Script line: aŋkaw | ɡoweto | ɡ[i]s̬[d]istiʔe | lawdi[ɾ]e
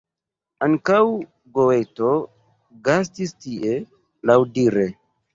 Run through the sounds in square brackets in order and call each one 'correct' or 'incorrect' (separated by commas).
incorrect, incorrect, correct